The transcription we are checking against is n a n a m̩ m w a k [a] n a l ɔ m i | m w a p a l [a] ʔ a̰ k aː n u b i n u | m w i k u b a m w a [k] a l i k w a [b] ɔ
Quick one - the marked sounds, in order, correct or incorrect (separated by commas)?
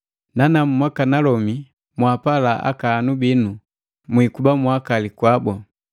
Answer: correct, correct, correct, correct